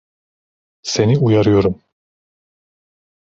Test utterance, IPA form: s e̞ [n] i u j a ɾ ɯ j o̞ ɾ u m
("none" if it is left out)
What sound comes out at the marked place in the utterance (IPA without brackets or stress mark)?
n